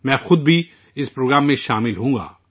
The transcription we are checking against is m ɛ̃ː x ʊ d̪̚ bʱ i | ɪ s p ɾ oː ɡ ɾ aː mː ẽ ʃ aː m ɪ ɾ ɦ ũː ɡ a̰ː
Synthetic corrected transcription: m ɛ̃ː x ʊ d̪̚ bʱ i | ɪ s p ɾ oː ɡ ɾ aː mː ẽ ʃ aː m ɪ l ɦ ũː ɡ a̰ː